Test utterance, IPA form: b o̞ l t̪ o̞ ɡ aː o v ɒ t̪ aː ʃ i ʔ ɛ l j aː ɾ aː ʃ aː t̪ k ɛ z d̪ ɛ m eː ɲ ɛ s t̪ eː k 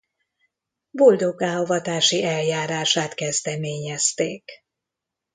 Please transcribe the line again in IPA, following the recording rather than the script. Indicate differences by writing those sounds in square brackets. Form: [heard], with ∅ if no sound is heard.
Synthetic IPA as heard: b o̞ l [d̪] o̞ ɡ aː o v ɒ t̪ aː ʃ i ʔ ɛ l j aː ɾ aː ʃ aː t̪ k ɛ z d̪ ɛ m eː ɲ ɛ s t̪ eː k